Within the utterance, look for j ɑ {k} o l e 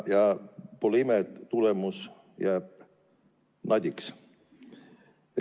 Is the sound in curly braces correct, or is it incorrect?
incorrect